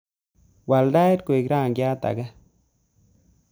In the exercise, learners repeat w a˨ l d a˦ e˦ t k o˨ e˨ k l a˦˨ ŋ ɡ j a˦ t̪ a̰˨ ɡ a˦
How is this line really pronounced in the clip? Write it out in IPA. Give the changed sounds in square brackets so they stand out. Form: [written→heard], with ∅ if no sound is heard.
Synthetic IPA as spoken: w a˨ l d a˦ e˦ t k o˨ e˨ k [l→ɾ] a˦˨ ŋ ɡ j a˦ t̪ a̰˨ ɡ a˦